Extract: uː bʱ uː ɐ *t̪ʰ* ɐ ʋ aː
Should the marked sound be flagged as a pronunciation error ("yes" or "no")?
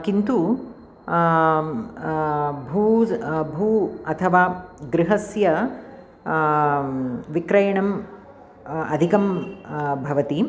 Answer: no